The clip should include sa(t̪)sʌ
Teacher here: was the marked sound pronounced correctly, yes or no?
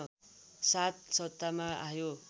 yes